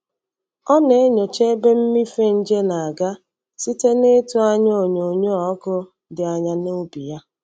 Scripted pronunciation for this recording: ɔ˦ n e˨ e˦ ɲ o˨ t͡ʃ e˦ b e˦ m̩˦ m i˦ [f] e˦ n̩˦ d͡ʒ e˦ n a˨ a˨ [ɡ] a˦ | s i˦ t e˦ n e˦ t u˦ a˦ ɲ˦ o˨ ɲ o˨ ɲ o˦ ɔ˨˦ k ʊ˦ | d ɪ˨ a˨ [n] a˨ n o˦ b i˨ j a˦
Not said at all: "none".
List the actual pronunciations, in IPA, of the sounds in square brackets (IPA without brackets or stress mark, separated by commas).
f, ɡ, ɲ